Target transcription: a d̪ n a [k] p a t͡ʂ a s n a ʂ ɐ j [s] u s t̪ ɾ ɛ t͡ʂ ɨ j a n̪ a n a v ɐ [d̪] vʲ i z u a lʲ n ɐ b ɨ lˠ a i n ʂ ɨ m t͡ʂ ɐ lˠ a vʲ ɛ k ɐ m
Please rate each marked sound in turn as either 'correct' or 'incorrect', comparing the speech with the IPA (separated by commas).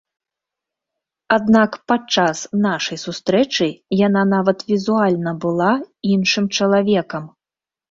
correct, correct, incorrect